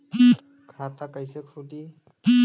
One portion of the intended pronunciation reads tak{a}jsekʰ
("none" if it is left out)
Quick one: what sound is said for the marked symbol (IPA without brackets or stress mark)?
a